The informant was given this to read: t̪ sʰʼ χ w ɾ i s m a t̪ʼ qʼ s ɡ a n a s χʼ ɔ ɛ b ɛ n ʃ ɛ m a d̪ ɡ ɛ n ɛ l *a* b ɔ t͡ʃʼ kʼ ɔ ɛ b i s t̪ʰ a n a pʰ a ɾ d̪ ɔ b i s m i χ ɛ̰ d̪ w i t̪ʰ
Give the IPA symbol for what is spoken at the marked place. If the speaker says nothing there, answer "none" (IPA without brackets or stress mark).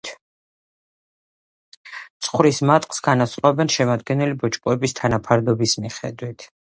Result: i